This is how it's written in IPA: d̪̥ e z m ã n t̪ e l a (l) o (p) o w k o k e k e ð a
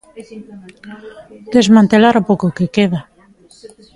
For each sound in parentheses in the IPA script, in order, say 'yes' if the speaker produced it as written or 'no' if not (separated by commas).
no, yes